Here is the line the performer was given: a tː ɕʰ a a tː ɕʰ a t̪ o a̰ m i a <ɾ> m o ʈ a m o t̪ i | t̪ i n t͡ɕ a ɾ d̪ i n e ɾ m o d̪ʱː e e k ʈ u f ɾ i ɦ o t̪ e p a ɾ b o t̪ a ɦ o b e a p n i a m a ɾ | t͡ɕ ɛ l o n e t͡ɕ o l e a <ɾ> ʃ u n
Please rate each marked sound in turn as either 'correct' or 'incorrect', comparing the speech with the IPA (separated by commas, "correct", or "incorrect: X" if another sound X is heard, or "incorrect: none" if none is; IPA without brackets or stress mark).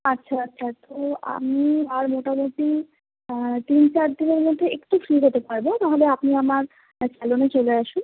correct, incorrect: none